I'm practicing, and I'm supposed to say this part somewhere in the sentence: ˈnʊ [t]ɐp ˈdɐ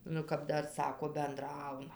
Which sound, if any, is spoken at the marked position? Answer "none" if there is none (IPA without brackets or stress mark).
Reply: k